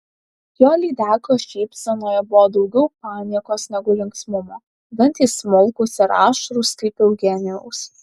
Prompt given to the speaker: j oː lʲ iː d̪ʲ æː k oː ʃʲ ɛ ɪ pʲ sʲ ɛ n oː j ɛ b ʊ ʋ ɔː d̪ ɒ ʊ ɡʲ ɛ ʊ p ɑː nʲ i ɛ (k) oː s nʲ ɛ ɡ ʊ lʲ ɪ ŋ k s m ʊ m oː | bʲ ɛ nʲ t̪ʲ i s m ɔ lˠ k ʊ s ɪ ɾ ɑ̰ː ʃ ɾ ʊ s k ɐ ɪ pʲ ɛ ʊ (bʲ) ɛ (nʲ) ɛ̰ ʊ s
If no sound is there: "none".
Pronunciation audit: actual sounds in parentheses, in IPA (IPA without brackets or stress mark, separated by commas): k, ɡʲ, nʲ